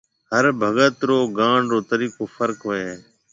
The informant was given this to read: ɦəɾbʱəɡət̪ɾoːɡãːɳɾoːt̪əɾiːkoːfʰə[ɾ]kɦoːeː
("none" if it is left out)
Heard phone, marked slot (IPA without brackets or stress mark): ɾ